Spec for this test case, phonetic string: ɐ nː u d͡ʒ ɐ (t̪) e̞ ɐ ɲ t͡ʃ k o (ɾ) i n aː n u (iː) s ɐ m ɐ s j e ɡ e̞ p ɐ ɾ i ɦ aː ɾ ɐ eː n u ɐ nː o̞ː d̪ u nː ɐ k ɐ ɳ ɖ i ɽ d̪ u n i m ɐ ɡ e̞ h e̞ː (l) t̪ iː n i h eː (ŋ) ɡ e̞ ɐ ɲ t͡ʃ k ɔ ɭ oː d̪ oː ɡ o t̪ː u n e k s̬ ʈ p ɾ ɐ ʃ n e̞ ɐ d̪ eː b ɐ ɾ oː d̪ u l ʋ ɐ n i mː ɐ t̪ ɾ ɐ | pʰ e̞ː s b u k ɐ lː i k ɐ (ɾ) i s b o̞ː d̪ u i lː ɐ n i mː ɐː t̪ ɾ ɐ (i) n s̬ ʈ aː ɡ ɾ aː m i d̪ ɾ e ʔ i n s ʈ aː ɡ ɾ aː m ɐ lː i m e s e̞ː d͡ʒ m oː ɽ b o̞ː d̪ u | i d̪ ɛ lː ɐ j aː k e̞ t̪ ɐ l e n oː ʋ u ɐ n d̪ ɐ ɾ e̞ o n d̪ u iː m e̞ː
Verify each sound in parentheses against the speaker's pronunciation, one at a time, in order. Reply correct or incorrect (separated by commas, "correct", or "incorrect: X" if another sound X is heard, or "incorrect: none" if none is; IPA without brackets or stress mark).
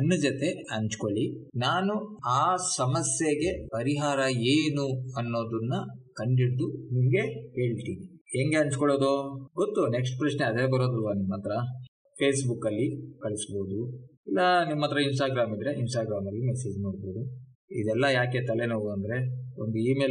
correct, incorrect: ɭ, incorrect: aː, incorrect: ɭ, correct, incorrect: ɭ, correct